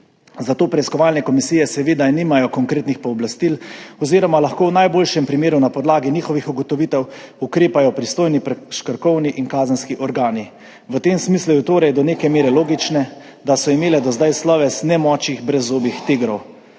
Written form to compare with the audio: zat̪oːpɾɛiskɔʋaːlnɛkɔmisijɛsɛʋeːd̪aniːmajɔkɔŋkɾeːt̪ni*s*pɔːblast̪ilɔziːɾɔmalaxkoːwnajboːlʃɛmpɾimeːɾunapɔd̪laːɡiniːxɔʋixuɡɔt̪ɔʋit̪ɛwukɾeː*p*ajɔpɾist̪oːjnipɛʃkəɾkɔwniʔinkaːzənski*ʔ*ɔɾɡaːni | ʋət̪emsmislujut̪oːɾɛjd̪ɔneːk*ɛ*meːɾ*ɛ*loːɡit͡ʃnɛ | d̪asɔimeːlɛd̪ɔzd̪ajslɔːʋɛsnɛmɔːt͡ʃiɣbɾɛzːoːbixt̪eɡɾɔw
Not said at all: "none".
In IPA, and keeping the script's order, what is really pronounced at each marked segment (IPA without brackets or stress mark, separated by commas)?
x, p, ʔ, ɛ, ɛ